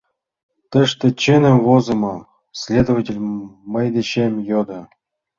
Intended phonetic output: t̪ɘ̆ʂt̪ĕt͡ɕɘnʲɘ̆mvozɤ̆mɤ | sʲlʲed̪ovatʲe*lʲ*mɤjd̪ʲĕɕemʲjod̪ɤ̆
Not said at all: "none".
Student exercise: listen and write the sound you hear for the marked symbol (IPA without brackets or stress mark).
lʲ